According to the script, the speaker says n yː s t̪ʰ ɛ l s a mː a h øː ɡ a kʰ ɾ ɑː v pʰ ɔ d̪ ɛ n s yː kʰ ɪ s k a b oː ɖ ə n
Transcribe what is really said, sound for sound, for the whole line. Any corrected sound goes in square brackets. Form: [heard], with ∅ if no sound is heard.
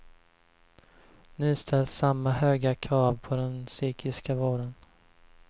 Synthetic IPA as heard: n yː s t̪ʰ ɛ l s a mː a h øː ɡ a kʰ ɾ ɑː v pʰ ɔ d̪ ɛ n s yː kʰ ɪ s k a [v] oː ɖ ə n

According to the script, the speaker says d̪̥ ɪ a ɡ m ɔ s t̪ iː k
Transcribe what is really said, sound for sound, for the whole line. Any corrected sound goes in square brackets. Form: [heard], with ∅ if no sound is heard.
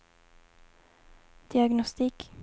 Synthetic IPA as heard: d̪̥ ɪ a ɡ [n] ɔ s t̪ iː k

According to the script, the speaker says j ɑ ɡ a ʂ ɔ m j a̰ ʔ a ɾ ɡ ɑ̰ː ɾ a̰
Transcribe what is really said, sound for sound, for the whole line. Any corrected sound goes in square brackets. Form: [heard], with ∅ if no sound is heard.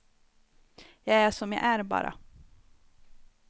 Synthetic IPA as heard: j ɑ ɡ [æ] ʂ ɔ m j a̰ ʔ [æ] ɾ [b] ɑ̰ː ɾ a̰

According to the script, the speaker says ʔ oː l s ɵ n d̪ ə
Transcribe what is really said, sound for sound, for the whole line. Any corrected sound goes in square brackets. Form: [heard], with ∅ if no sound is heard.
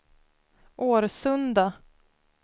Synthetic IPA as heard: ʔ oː [ɾ] s ɵ n d̪ [a]

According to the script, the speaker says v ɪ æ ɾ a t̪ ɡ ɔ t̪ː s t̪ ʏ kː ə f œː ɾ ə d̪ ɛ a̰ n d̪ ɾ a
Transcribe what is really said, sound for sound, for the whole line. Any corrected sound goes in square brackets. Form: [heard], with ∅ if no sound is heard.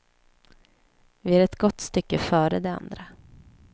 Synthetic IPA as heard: v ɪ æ ɾ [ɛ] t̪ ɡ ɔ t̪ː s t̪ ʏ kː ə f œː ɾ ə d̪ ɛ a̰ n d̪ ɾ a

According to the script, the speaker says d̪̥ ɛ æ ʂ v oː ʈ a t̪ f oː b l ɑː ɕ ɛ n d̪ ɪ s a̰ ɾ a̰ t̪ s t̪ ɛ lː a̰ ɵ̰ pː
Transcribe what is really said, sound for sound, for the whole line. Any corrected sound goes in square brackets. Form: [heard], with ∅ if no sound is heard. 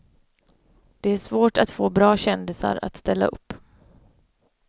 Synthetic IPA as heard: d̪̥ ɛ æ ʂ v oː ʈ a t̪ f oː b [ɾ] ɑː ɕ ɛ n d̪ ɪ s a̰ ɾ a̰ t̪ s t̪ ɛ lː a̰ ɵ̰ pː

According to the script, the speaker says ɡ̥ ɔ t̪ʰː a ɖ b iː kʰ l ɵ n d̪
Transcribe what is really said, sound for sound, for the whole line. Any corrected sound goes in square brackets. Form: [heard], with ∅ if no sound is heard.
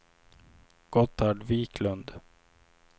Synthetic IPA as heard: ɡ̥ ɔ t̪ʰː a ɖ [v] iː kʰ l ɵ n d̪

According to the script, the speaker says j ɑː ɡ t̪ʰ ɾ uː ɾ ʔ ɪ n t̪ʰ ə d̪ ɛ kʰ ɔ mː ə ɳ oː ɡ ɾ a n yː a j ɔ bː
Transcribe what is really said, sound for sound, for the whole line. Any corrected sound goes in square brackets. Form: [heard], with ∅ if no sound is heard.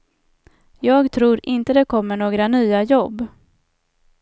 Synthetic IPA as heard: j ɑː ɡ t̪ʰ ɾ uː ɾ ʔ ɪ n [t̪] ə d̪ ɛ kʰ ɔ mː ə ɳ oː ɡ ɾ a n yː a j ɔ bː

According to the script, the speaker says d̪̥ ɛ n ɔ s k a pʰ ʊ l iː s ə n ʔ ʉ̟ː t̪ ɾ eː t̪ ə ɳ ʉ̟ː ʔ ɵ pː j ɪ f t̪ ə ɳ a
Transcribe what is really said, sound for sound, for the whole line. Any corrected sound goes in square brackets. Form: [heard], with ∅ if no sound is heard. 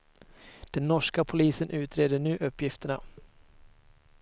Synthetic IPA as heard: d̪̥ ɛ [nː] ɔ [ʂ] k a pʰ ʊ l iː s ə n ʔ ʉ̟ː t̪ ɾ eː [d̪] ə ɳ ʉ̟ː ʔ ɵ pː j ɪ f t̪ ə ɳ a

